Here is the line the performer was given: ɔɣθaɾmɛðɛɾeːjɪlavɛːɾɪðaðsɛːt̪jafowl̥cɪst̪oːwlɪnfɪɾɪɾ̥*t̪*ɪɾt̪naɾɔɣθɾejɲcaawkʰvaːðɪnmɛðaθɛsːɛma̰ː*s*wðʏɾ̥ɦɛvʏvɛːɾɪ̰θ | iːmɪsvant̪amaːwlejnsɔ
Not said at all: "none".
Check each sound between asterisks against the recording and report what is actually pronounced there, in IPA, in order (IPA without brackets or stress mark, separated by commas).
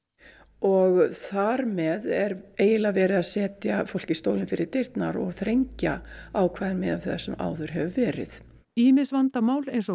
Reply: t̪, none